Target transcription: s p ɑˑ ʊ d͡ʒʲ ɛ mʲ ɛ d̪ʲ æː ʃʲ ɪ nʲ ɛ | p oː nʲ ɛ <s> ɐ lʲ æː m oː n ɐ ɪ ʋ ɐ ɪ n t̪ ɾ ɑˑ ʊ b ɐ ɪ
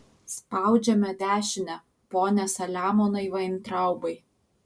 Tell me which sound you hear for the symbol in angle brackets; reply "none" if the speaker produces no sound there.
s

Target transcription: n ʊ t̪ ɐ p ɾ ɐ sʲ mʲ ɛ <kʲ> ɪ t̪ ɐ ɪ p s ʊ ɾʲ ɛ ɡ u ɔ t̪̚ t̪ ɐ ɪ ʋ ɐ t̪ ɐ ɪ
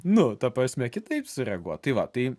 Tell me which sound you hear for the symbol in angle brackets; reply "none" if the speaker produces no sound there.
kʲ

